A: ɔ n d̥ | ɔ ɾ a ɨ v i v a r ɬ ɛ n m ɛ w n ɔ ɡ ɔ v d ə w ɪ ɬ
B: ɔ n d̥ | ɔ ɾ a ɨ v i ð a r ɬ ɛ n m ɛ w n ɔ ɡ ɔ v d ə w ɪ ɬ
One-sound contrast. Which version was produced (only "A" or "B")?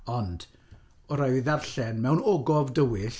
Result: B